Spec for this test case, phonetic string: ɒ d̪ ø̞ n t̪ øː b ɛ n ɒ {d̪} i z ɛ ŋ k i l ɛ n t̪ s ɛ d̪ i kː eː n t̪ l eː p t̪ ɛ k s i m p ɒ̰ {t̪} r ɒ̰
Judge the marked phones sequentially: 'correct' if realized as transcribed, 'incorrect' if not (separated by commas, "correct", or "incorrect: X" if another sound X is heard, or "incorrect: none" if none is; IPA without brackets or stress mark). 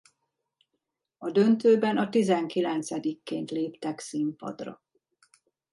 incorrect: t̪, incorrect: d̪